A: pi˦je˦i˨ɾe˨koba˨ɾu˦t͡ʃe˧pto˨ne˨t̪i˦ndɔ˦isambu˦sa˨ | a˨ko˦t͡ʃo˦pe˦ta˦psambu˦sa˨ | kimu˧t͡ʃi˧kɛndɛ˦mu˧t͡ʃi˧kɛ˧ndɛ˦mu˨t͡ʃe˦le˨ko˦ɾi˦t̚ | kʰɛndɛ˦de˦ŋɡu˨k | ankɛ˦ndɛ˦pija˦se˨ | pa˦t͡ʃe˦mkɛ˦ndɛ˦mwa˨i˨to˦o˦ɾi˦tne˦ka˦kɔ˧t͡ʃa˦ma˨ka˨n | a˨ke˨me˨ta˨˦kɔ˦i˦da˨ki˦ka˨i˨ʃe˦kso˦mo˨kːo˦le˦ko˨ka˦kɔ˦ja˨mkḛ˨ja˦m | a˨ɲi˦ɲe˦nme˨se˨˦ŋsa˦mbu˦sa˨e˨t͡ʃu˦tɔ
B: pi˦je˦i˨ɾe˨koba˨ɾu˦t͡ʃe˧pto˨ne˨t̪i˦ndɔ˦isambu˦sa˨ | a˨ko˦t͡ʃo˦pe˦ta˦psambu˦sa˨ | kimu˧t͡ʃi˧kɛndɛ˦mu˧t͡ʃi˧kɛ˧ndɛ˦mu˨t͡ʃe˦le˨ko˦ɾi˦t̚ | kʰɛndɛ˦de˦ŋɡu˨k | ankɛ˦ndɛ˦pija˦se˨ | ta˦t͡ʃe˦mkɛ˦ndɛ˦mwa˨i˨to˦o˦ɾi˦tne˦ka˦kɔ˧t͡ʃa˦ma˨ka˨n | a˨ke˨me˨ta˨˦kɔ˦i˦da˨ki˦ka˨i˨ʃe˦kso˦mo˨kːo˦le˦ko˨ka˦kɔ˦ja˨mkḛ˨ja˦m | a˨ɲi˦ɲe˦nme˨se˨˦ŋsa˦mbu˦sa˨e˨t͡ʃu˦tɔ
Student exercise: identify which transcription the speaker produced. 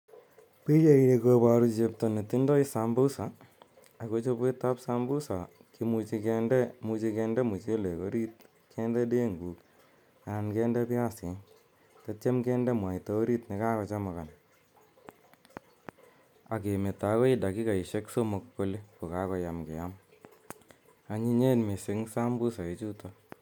B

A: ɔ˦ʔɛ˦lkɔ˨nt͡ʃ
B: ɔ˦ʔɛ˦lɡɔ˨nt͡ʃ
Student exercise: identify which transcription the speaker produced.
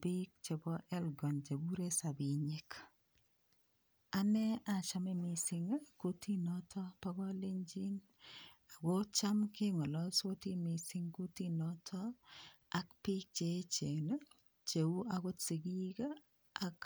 B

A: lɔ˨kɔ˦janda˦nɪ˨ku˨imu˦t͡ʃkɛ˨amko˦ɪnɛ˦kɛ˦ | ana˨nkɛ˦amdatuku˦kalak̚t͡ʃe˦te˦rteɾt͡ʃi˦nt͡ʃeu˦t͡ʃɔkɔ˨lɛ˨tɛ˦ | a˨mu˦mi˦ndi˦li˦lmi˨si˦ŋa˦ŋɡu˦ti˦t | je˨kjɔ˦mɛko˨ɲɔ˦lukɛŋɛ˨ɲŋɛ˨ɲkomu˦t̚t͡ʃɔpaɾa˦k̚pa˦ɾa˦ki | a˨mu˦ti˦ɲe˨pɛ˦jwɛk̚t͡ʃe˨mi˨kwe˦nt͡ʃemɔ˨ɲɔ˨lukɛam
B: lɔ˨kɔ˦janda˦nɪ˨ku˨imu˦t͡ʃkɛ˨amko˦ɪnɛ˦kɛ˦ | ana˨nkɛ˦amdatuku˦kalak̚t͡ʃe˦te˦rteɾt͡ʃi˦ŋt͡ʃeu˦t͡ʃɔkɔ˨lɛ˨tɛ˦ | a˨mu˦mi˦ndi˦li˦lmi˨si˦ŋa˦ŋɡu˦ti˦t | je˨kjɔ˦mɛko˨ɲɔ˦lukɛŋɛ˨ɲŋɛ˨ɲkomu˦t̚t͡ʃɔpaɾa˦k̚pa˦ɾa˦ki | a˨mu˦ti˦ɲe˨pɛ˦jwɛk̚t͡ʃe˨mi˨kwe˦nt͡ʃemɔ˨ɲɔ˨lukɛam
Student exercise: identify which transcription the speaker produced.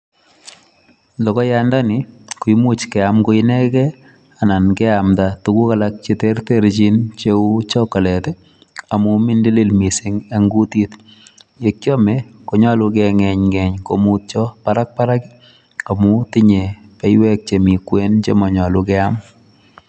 A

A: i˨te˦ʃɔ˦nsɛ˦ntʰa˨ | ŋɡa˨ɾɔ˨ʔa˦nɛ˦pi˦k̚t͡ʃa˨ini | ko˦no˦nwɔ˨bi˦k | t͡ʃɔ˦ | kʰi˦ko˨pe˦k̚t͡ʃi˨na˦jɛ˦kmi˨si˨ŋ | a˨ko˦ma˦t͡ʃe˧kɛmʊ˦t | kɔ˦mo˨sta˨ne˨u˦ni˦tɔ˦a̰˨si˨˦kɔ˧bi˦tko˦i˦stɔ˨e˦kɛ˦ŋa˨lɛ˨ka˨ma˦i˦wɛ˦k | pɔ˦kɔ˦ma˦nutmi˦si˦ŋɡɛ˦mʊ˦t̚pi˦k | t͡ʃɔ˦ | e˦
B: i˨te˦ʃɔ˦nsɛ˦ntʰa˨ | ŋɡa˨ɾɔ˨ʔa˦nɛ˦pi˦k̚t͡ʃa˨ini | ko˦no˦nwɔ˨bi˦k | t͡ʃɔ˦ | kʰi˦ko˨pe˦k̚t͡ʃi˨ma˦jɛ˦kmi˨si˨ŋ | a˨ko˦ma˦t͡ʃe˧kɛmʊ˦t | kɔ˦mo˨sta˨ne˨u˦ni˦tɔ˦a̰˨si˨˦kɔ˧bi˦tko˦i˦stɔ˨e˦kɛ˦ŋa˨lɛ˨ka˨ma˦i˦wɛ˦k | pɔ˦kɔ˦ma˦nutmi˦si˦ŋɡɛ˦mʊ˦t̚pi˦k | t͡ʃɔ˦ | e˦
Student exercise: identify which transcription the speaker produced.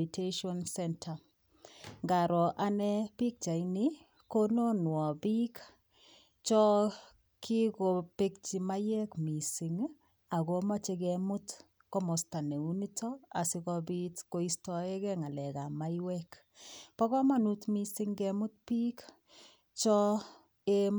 B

